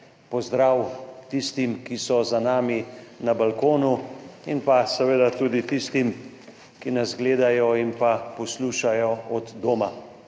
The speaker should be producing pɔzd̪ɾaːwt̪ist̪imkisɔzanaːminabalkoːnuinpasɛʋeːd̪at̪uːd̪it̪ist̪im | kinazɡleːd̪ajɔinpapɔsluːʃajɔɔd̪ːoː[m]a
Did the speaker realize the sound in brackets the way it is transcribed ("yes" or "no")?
yes